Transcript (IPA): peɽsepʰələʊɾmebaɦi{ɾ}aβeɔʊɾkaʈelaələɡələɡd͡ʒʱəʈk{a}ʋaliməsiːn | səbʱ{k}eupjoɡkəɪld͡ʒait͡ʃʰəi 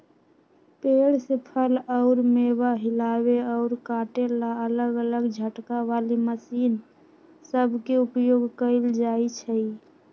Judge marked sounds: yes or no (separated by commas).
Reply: no, yes, yes